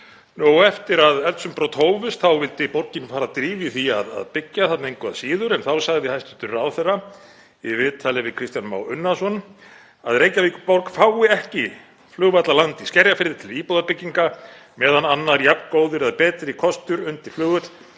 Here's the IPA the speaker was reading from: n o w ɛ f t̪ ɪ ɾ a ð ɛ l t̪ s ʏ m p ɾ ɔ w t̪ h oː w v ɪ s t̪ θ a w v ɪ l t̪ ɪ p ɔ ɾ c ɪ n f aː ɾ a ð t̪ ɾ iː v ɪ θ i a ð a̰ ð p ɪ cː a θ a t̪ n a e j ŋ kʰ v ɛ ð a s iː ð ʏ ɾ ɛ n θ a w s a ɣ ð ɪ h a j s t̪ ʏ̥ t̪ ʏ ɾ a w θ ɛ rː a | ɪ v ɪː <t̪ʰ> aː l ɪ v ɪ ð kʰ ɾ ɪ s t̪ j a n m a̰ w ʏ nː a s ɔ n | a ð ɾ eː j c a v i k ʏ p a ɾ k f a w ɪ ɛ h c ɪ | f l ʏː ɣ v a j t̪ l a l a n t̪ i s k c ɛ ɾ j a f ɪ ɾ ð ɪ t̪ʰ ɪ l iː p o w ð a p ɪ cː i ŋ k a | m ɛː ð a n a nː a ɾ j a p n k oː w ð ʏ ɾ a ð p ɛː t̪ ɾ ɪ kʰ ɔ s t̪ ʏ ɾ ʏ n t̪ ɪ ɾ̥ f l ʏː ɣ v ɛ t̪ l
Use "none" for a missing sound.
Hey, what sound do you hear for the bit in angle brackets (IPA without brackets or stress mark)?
t̪ʰ